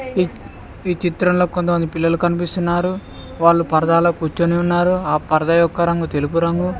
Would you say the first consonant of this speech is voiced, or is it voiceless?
voiceless